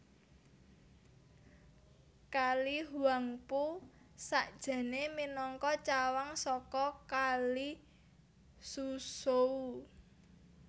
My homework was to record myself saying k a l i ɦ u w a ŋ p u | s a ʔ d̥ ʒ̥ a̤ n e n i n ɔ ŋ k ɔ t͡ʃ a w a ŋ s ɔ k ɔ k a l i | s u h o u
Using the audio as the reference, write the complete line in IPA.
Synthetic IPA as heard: k a l i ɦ u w a ŋ p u | s a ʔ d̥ ʒ̥ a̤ n e m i n ɔ ŋ k ɔ t͡ʃ a w a ŋ s ɔ k ɔ k a l i | s u s o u